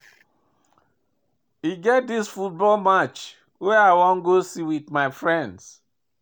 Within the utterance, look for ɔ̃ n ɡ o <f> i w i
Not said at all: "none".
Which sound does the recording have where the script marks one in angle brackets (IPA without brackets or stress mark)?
s